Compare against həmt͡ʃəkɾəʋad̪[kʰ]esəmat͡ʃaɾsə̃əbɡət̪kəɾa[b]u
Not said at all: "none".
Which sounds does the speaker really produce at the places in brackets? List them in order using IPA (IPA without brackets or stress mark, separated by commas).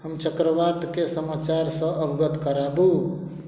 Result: k, b